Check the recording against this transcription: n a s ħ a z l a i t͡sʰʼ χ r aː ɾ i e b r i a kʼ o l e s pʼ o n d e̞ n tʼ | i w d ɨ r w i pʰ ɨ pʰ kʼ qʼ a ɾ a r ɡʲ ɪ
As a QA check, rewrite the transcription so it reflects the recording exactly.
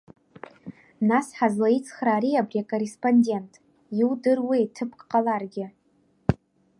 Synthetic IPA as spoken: n a s ħ a z l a i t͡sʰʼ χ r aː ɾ i a b r i a kʼ o r e s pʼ o n d e̞ n tʼ | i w d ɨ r w i tʰ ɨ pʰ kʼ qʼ a l a r ɡʲ ɪ